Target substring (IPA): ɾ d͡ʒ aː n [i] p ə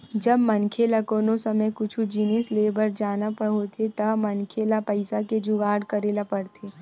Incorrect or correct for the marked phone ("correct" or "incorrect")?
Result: incorrect